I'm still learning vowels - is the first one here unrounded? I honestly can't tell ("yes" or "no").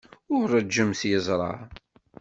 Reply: no